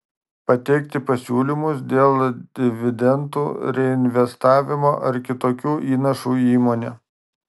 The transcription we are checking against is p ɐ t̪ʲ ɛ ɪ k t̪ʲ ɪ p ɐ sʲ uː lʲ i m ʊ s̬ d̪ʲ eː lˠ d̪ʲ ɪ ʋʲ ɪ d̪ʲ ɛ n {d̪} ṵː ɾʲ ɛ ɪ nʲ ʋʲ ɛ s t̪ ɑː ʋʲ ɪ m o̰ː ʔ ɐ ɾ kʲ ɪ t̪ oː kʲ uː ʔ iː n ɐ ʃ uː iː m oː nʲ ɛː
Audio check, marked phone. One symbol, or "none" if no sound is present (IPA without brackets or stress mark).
t̪